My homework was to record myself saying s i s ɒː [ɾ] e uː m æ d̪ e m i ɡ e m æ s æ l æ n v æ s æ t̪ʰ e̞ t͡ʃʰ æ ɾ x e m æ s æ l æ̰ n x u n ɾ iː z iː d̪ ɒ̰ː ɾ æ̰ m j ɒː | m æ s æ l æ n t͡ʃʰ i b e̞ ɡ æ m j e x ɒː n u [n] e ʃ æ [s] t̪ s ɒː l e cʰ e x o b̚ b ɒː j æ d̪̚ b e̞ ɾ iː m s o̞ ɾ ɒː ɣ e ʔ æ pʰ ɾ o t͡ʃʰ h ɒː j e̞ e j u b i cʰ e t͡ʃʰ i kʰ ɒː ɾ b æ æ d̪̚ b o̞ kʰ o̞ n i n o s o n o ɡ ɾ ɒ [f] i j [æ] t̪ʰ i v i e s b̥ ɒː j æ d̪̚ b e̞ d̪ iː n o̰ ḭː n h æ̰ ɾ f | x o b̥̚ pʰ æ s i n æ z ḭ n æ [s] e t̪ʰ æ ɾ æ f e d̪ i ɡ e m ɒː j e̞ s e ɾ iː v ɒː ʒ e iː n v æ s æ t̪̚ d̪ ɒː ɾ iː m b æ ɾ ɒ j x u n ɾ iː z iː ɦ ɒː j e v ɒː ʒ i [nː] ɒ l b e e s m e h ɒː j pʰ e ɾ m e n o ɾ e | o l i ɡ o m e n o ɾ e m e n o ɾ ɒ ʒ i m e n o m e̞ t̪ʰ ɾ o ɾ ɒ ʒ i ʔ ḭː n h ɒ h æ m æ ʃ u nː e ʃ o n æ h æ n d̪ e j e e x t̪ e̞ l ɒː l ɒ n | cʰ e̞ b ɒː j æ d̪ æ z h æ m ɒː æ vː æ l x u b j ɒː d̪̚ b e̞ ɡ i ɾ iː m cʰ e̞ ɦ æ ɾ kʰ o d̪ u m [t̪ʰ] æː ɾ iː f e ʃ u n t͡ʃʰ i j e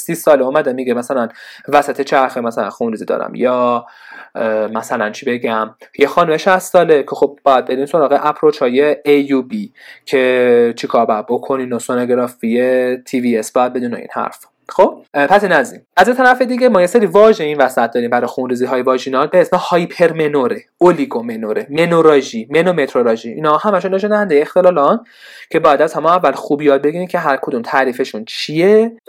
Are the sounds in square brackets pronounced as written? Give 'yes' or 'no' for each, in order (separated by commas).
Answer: no, no, yes, yes, no, no, no, yes